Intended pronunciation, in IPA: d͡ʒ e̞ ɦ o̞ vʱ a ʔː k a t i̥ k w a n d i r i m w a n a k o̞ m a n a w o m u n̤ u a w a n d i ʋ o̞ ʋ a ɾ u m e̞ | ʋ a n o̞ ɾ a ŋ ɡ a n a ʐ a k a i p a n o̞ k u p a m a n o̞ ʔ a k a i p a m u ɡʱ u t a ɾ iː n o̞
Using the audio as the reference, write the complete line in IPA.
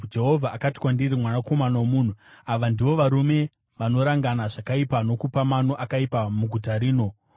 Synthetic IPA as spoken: d͡ʒ e̞ ɦ o̞ vʱ a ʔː k a t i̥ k w a n d i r i m w a n a k o̞ m a n a w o m u n̤ u a ʋ a n d i ʋ o̞ ʋ a ɾ u m e̞ | ʋ a n o̞ ɾ a ŋ ɡ a n a ʐ a k a i p a n o̞ k u p a m a n o̞ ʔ a k a i p a m u ɡʱ u t a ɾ iː n o̞